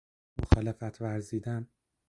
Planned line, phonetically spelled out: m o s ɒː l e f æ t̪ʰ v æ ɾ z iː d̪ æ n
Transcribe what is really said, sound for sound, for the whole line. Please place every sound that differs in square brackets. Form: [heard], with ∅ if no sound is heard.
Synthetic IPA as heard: m o [x] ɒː l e f æ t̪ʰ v æ ɾ z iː d̪ æ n